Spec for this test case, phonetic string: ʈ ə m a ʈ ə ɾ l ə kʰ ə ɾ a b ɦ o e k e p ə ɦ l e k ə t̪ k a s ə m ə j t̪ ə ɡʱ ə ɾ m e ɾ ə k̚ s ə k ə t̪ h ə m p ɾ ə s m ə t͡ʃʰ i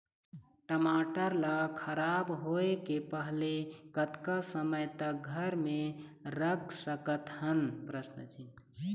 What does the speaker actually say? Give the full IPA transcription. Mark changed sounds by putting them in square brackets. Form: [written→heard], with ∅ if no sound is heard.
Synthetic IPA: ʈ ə m a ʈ ə ɾ l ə kʰ ə ɾ a b ɦ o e k e p ə ɦ l e k ə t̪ k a s ə m ə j t̪ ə ɡʱ ə ɾ m e ɾ ə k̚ s ə k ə t̪ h ə [m→n] p ɾ ə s [m→n] ə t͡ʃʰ i